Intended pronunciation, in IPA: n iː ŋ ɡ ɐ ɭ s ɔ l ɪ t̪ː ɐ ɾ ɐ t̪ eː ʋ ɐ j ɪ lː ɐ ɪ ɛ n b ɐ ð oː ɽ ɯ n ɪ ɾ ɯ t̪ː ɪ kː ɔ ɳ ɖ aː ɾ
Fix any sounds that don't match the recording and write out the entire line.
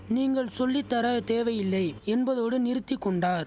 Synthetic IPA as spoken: n iː ŋ ɡ ɐ ɭ s ɔ lː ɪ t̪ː ɐ ɾ ɐ t̪ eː ʋ ɐ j ɪ lː ɐ ɪ ɛ n b ɐ ð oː ɽ ɯ n ɪ ɾ ɯ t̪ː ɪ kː ɔ ɳ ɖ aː ɾ